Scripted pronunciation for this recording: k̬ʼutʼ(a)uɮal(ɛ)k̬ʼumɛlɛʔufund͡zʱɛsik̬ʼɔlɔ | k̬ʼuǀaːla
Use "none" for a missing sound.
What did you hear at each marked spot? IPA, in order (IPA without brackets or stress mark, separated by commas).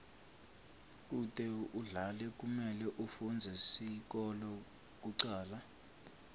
ɛ, ɛ